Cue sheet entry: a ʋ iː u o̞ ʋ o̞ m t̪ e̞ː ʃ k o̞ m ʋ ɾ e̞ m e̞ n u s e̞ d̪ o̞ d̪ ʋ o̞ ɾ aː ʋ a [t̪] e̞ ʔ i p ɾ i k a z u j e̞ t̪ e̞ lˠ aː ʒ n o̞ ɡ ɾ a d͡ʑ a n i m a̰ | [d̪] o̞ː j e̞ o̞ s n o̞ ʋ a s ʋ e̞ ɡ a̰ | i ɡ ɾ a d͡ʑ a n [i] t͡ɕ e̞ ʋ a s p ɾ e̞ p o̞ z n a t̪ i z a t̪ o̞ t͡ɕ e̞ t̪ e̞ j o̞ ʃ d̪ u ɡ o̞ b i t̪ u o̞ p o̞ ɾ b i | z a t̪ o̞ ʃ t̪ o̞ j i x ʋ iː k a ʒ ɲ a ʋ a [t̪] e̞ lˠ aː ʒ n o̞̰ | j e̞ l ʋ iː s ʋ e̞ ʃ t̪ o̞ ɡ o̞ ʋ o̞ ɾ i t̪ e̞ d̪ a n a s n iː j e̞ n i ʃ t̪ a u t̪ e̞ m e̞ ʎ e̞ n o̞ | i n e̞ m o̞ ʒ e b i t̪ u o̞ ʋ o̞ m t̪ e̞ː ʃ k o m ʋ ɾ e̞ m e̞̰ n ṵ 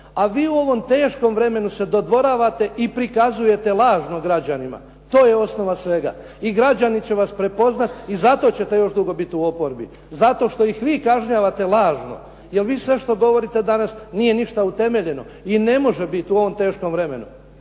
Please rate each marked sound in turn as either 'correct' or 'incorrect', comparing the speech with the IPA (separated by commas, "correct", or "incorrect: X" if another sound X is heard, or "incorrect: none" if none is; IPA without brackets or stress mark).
correct, incorrect: t̪, correct, correct